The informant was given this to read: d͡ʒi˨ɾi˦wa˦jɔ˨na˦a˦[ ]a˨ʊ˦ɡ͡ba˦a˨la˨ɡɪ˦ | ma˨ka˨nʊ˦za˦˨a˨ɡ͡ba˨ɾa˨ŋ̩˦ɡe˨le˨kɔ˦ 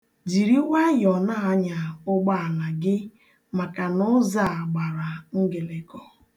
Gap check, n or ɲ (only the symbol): ɲ